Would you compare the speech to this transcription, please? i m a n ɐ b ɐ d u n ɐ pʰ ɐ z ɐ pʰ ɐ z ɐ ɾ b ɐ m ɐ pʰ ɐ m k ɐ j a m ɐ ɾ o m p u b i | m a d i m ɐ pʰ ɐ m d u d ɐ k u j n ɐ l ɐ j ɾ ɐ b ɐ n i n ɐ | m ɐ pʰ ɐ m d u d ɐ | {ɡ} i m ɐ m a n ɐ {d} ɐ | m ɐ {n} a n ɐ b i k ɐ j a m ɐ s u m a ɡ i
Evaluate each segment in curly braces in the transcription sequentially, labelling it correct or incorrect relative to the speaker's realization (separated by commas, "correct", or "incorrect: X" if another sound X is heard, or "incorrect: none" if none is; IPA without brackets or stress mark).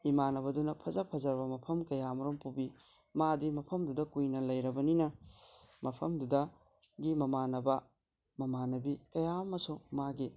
correct, incorrect: b, incorrect: m